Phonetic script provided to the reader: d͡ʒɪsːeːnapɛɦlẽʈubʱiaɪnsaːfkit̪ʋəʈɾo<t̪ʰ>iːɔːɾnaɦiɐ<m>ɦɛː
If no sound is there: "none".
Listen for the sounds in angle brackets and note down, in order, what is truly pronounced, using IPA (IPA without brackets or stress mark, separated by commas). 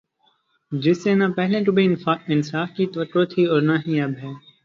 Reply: t̪ʰ, b